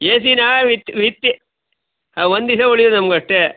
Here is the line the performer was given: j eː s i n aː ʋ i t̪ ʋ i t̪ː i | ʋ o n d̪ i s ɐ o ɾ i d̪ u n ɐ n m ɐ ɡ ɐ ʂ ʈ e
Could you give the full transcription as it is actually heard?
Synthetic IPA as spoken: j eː s i n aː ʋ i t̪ ʋ i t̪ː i | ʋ o n d̪ i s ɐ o ɭ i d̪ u n ɐ m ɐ ɡ ɐ ʂ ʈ e